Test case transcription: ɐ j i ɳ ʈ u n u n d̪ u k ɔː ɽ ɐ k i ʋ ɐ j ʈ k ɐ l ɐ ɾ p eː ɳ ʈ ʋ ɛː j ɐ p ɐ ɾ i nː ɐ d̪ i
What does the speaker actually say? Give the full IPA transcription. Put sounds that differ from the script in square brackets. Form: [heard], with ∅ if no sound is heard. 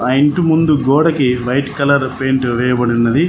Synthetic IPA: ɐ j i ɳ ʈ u [m] u n d̪ u [ɡ] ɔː ɽ ɐ k i ʋ ɐ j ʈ k ɐ l ɐ ɾ p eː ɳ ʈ ʋ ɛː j ɐ [b] ɐ [ɽ] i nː ɐ d̪ i